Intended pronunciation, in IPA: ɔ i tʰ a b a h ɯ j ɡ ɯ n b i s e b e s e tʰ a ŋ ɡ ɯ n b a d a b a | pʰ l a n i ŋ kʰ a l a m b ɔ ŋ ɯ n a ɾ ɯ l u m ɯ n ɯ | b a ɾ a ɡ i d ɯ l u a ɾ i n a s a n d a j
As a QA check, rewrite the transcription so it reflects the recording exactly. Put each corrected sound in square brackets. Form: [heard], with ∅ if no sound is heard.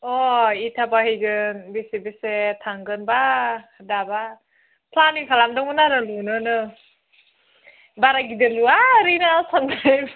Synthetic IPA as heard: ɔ i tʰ a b a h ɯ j ɡ ɯ n b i s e b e s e tʰ a ŋ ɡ ɯ n b a d a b a | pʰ l a n i ŋ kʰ a l a m [d] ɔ ŋ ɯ n a ɾ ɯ l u [n] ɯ n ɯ | b a ɾ a ɡ i d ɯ l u a ɾ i n a s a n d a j